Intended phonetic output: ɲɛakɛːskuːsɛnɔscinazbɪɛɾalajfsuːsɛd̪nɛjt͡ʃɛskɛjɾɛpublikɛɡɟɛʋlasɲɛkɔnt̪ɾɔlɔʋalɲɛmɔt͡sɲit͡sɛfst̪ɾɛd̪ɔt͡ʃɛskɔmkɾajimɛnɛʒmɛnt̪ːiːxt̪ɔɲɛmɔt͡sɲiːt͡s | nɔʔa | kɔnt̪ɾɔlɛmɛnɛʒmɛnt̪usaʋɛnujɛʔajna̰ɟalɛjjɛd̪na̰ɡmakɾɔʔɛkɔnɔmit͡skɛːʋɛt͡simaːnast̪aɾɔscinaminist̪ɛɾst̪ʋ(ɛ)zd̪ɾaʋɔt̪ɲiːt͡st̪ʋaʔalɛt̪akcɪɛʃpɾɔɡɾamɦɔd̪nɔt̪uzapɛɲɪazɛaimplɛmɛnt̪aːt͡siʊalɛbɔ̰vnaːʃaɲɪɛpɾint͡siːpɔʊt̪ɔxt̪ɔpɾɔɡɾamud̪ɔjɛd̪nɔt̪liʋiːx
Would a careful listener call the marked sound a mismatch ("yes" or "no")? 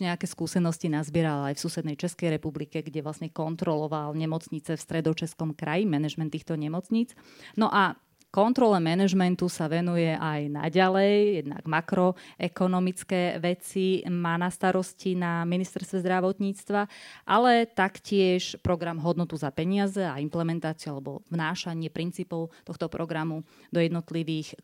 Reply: no